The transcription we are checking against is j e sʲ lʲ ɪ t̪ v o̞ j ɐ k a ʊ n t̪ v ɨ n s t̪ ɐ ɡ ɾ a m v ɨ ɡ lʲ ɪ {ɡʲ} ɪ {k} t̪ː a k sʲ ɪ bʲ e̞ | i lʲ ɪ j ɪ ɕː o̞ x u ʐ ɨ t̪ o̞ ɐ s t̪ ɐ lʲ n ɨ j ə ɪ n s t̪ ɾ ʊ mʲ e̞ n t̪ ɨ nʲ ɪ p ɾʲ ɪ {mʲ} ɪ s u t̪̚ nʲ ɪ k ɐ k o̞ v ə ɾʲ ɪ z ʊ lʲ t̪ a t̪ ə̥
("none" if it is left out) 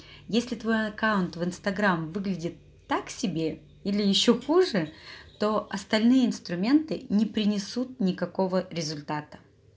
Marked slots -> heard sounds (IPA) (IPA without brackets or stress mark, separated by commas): dʲ, none, nʲ